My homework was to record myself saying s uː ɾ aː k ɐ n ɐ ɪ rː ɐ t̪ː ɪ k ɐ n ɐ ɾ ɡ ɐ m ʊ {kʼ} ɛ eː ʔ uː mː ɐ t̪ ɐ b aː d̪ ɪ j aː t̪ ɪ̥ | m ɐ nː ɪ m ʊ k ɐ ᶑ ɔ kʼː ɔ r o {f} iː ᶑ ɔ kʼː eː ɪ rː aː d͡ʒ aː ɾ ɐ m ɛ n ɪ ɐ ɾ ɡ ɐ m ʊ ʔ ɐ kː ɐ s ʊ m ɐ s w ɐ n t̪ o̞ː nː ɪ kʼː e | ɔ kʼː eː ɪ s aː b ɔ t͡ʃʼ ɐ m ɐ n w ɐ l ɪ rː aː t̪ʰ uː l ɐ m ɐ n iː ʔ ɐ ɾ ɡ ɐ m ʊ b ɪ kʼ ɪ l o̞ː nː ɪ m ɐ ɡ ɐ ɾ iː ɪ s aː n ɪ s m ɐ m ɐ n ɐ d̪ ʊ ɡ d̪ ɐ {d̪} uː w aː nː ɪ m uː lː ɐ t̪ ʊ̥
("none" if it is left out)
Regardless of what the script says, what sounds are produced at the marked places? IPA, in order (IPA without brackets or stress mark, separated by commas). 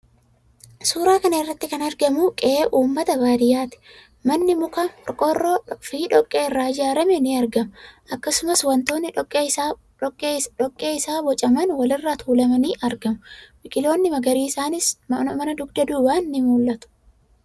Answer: kʼ, f, d̪